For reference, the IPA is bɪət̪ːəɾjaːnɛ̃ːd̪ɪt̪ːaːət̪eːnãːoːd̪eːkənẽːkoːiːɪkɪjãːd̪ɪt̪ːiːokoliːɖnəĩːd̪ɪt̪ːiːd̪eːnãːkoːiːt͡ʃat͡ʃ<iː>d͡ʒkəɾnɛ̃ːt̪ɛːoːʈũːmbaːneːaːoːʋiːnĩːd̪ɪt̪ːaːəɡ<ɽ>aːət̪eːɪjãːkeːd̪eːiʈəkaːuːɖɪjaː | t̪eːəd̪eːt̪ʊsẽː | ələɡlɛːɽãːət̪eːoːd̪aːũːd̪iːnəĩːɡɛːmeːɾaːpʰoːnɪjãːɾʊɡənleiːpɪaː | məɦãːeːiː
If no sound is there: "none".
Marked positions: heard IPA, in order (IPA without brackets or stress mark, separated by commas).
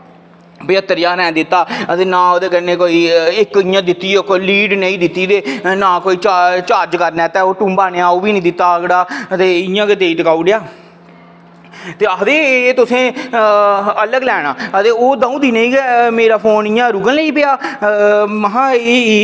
aː, ɽ